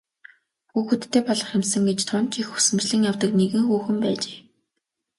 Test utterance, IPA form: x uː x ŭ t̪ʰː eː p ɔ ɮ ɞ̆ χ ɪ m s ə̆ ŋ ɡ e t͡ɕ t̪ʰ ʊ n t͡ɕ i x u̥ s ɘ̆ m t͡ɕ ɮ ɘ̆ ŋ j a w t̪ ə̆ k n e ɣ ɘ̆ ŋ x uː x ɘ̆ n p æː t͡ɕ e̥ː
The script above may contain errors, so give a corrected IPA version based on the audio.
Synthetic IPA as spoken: x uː x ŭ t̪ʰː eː p ɔ ɮ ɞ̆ χ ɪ m s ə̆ ŋ ɡ e t͡ɕ t̪ʰ ʊ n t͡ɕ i x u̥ s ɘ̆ m t͡ɕ ɮ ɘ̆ ŋ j a w t̪ ə̆ k n e ɣ ɘ̆ ŋ x uː x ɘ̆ m p æː t͡ɕ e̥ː